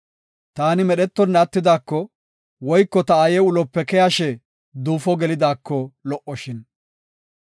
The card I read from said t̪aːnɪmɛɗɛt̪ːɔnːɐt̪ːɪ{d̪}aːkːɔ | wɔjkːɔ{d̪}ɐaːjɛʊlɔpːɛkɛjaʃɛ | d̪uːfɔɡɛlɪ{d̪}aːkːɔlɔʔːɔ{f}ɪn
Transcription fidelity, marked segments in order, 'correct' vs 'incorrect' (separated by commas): correct, incorrect, correct, incorrect